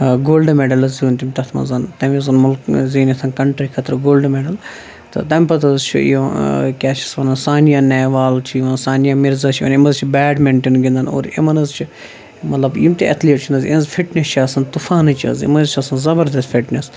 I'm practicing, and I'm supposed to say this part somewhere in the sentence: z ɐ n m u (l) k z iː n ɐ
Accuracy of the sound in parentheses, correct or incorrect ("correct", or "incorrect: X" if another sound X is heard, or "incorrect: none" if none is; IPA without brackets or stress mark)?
correct